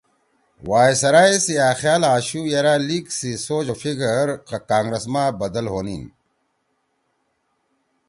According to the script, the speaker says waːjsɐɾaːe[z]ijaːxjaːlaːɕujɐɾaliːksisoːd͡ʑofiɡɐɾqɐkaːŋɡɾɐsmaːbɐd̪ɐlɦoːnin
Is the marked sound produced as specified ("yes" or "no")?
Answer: no